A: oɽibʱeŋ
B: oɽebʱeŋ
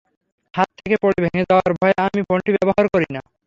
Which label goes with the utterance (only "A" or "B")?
A